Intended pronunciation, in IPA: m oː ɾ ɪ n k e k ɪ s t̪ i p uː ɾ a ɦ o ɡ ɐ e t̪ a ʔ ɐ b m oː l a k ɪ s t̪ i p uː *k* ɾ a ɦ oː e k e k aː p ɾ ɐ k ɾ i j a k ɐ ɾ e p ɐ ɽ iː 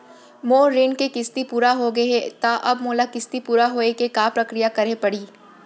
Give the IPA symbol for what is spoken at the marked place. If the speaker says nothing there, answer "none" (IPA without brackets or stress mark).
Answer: none